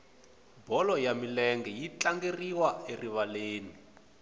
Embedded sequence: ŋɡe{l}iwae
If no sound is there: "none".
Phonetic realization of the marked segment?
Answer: r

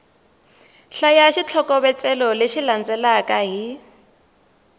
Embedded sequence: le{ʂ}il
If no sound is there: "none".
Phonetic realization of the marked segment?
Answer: ʃ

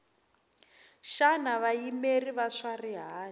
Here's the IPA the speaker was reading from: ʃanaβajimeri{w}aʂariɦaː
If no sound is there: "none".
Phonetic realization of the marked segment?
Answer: β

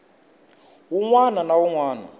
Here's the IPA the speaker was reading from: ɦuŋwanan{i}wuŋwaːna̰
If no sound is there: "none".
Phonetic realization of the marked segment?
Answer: a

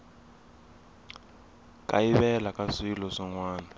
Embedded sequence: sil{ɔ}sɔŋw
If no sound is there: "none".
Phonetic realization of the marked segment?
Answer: ɔ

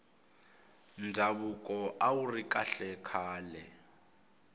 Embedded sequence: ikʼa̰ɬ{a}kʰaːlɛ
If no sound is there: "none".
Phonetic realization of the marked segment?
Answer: ɛ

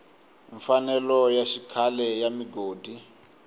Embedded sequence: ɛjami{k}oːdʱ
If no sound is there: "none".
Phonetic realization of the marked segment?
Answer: ɡ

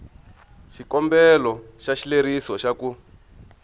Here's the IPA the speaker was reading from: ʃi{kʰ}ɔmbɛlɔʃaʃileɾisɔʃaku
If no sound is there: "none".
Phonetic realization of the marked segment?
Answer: k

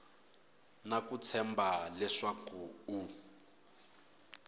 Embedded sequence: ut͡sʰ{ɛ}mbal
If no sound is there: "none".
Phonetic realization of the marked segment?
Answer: ɛ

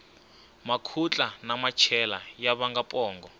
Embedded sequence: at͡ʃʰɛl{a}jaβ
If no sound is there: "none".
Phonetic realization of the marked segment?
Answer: a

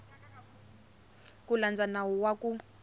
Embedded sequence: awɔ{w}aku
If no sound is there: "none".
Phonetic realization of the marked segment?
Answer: w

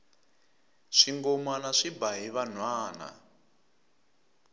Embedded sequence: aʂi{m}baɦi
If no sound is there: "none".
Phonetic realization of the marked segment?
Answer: none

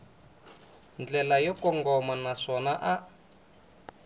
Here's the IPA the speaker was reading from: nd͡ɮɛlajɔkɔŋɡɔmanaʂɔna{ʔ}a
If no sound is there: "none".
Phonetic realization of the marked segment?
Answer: ʔ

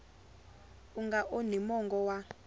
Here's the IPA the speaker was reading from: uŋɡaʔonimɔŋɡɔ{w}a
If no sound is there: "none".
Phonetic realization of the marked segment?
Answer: w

